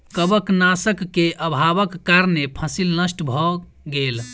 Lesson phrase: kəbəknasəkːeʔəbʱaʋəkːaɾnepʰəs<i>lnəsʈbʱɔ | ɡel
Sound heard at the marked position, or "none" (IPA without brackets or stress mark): i